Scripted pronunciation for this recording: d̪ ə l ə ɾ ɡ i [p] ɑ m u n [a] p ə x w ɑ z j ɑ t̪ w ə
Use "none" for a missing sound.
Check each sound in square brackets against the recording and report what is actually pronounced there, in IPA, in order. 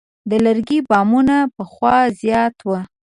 b, a

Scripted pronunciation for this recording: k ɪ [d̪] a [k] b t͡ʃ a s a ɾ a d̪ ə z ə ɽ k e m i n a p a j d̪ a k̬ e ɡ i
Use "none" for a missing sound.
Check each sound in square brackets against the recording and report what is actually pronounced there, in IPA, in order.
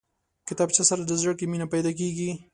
t̪, none

